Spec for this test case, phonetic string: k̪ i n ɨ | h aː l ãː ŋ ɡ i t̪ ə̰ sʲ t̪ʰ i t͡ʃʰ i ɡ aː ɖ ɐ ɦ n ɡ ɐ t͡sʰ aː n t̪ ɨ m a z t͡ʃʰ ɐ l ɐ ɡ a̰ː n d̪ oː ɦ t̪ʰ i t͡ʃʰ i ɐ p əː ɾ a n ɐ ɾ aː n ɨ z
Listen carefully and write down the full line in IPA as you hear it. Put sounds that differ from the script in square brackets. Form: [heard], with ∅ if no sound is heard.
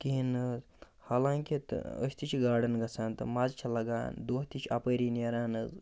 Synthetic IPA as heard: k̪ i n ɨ | h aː l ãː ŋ [k] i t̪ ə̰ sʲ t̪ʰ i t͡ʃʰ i ɡ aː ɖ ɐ [∅] n ɡ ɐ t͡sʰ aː n t̪ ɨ m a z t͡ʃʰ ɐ l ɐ ɡ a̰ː n d̪ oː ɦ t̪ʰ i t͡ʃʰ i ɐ p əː ɾ [i] n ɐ ɾ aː n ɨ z